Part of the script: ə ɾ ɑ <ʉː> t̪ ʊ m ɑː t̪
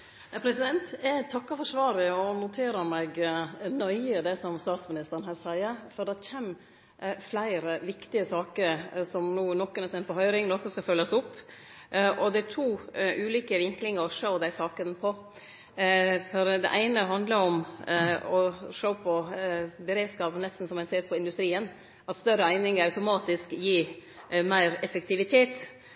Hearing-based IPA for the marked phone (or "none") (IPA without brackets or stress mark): ʉ